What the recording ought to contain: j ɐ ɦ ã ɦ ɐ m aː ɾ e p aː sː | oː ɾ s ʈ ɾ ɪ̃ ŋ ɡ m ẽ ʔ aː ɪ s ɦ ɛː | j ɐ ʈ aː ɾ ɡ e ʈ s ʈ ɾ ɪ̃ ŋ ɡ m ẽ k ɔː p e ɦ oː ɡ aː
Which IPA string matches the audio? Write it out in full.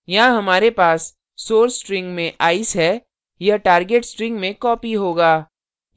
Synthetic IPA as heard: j ɐ ɦ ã ɦ ɐ m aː ɾ e p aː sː | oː ɾ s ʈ ɾ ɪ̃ ŋ ɡ m ẽ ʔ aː ɪ s ɦ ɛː | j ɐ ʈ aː ɾ ɡ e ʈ s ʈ ɾ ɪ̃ ŋ ɡ m ẽ k ɔː p i ɦ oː ɡ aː